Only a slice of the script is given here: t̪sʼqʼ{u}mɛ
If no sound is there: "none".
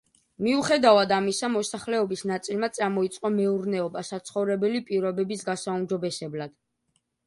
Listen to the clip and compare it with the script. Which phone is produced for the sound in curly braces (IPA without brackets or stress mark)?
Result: ɔ